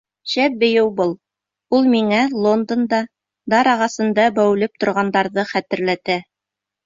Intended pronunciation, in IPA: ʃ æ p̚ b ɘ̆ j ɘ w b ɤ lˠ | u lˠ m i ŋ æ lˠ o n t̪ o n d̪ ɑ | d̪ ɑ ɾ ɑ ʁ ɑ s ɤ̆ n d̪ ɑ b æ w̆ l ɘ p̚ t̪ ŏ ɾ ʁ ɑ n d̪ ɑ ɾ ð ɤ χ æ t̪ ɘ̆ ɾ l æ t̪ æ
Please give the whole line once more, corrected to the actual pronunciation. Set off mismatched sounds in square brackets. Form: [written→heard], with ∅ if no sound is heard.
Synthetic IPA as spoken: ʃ æ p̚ b ɘ̆ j ɘ w b ɤ lˠ | u lˠ m i ŋ æ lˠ o n [t̪→d̪] o n d̪ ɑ | d̪ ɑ ɾ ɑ ʁ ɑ s ɤ̆ n d̪ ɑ b æ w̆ l ɘ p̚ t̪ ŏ ɾ ʁ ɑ n d̪ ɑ ɾ ð ɤ χ æ t̪ ɘ̆ ɾ l æ t̪ æ